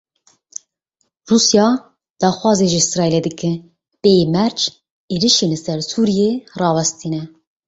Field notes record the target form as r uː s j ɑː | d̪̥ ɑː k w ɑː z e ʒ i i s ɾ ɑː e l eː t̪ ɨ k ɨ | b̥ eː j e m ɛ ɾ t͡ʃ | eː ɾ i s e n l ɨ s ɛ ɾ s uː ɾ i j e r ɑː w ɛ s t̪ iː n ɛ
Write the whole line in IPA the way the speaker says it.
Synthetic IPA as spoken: r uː s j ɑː | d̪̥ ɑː x w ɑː z e ʒ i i s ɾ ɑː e l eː d̪ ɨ k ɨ | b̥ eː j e m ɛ ɾ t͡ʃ | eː ɾ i ʃ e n l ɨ s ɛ ɾ s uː ɾ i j e r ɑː w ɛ s t̪ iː n ɛ